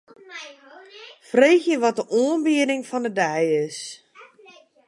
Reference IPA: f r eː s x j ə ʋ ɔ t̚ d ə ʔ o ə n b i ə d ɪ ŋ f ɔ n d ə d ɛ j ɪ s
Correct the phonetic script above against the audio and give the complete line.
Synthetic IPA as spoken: f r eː x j ə ʋ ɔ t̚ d ə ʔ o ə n b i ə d ɪ ŋ f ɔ n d ə d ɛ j ɪ s